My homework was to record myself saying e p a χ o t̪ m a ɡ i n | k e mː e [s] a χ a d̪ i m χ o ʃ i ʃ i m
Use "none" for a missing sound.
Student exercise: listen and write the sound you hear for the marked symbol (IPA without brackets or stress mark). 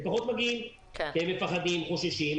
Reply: f